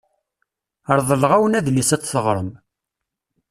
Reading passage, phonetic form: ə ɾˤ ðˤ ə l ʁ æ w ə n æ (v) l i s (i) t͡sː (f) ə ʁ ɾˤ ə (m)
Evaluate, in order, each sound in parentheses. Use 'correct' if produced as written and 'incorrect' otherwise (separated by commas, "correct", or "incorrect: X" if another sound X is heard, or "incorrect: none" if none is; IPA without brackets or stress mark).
incorrect: ð, incorrect: æ, incorrect: θ, correct